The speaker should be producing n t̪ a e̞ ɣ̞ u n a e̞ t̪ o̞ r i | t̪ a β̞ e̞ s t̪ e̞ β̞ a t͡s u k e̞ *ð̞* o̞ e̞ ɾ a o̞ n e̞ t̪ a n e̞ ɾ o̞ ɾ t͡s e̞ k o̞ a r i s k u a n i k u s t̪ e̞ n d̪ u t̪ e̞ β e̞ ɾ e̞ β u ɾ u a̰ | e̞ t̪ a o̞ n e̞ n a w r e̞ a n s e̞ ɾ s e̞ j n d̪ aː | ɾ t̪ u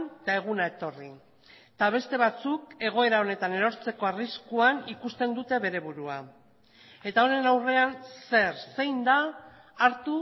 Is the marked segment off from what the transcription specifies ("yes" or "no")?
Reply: yes